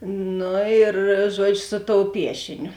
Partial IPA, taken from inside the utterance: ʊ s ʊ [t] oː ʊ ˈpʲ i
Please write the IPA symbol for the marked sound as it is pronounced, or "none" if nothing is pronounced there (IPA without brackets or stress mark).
t